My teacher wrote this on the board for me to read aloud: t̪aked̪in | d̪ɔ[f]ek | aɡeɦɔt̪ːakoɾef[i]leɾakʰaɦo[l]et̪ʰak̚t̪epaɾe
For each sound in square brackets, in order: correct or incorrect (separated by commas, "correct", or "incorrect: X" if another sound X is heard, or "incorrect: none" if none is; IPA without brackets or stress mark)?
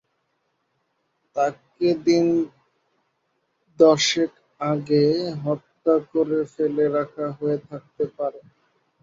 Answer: incorrect: ʃ, incorrect: e, incorrect: none